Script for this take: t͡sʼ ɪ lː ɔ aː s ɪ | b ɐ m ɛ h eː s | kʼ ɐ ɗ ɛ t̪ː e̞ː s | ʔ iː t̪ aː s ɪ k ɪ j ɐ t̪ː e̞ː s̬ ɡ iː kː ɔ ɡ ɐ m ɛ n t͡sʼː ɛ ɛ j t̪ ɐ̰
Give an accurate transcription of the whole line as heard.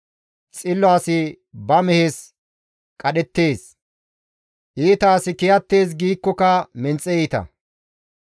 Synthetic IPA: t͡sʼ ɪ lː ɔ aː s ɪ | b ɐ m ɛ h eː s | kʼ ɐ ɗ ɛ t̪ː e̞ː s | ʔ iː t̪ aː s ɪ k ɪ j ɐ t̪ː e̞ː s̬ ɡ iː kː ɔ k ɐ m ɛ n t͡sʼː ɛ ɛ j t̪ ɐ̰